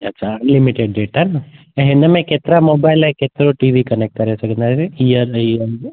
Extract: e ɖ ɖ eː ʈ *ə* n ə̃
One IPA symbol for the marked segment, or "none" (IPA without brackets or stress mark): a